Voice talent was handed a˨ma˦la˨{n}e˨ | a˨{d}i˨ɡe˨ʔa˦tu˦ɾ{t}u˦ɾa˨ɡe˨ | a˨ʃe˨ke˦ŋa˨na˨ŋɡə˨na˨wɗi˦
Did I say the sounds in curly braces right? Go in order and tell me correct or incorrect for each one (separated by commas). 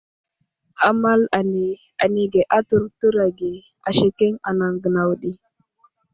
correct, incorrect, correct